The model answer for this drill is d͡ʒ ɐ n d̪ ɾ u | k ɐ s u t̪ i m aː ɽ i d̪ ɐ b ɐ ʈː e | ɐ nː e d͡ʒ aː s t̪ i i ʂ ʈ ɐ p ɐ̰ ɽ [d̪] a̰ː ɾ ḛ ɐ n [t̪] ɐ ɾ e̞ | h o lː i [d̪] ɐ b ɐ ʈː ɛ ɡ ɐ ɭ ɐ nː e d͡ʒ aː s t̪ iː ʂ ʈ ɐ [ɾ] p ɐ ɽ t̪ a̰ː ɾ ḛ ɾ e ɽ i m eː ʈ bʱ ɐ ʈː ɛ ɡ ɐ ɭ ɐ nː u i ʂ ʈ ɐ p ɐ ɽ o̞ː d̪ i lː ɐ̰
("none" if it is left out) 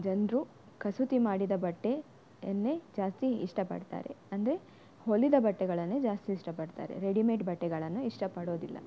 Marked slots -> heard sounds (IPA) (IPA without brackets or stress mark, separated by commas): t̪, d̪, d̪, none